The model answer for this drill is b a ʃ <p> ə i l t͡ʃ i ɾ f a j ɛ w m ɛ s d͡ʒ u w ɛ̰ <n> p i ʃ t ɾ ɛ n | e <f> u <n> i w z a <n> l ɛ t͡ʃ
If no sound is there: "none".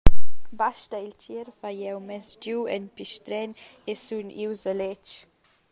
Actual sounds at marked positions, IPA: t, n, s, n, none

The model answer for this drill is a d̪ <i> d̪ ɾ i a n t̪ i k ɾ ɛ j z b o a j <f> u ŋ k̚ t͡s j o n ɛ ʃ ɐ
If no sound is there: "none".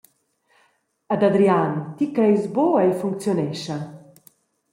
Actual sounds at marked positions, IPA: a, f

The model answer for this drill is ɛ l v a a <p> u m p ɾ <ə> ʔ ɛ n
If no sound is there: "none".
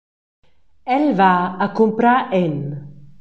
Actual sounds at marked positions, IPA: k, a

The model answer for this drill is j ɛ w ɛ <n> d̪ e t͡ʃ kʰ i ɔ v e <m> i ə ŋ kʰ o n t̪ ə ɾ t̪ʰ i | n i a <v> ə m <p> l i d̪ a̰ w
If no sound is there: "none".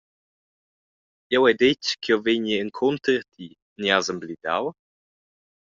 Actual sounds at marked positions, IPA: none, ɲ, z, b

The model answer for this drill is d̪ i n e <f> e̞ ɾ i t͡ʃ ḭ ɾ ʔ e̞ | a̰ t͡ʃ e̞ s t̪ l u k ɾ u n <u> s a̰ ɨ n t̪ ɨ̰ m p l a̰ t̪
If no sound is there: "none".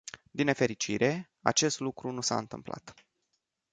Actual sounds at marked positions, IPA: f, u

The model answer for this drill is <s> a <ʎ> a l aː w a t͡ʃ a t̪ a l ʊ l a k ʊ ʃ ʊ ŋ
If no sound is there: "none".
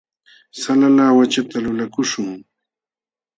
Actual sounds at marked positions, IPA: s, l

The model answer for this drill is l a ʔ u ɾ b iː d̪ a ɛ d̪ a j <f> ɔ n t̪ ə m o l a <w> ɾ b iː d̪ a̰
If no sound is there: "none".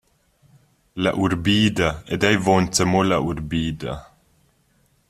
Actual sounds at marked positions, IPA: v, u

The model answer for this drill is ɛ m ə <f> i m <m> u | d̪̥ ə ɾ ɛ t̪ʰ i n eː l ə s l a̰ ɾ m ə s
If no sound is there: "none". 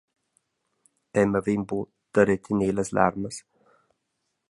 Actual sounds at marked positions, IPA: v, b

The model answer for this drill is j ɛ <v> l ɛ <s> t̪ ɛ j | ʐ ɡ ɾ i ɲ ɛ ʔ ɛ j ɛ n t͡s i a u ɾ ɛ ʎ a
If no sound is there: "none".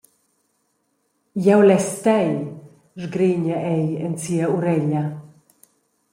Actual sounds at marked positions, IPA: w, s

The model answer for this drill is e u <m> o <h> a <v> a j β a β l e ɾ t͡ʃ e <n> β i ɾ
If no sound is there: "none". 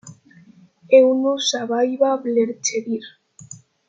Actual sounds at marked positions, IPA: n, s, β, none

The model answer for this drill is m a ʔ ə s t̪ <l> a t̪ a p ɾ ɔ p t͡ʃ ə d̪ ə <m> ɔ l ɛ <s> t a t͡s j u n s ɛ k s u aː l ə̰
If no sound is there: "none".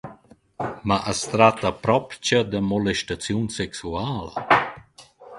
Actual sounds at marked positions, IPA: ɾ, m, ʃ

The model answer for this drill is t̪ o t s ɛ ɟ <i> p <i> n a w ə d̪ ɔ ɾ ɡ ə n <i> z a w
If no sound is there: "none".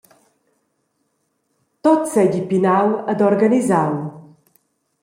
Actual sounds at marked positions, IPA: i, i, i

